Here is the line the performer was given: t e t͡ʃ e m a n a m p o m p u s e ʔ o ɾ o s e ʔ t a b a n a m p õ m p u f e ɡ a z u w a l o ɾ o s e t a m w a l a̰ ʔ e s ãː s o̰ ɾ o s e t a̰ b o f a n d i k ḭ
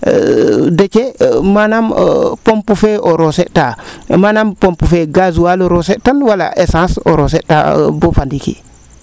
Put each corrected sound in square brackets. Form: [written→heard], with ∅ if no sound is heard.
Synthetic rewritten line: [t→d] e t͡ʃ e m a n a m p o m p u [s→f] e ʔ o ɾ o s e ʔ t a [b→m] a n a m p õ m p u f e ɡ a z u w a l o ɾ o s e t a [m→n] w a l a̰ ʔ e s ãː s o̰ ɾ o s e t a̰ b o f a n d i k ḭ